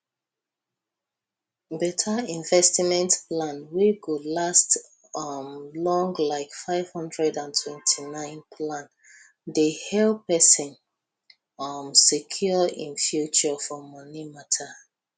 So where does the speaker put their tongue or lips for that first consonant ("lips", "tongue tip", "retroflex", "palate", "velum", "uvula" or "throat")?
lips